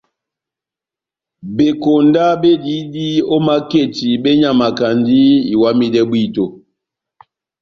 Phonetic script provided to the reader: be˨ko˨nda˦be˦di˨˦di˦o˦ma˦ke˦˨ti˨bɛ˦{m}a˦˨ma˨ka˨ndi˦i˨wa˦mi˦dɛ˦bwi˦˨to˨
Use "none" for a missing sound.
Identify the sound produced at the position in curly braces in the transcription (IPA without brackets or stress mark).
ɲ